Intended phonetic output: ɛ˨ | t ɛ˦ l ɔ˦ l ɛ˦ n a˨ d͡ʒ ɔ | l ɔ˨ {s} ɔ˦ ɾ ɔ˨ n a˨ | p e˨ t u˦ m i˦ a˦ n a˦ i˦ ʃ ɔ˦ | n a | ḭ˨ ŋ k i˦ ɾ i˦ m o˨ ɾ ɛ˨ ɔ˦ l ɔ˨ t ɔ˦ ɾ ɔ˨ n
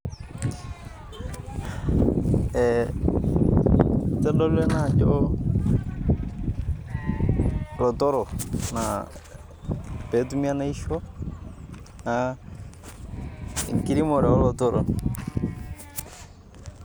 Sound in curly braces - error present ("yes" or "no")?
yes